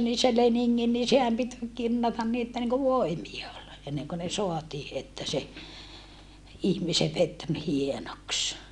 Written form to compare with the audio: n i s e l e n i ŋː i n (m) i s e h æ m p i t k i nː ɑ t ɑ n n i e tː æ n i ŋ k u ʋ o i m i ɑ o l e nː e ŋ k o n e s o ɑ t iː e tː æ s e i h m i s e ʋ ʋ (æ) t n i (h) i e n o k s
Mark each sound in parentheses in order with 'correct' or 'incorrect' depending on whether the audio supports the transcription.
incorrect, incorrect, correct

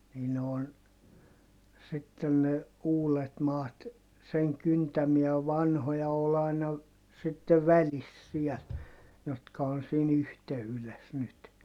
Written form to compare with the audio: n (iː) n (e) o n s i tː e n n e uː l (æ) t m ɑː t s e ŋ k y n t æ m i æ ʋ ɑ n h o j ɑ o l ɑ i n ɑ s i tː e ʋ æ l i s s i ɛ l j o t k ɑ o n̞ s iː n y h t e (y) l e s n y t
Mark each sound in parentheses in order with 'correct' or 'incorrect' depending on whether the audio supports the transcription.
correct, correct, incorrect, correct

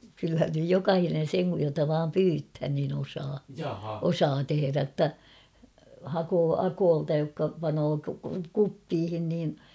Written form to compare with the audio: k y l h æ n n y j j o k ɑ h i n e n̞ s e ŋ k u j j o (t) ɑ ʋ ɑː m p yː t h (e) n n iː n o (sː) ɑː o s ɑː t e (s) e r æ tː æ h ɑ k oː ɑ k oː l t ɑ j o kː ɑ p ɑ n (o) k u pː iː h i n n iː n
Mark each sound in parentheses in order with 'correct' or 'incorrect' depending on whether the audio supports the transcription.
correct, incorrect, incorrect, incorrect, incorrect

